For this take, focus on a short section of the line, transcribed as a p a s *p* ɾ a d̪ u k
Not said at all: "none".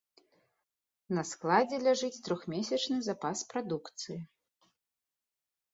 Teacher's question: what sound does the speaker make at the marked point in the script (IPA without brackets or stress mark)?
p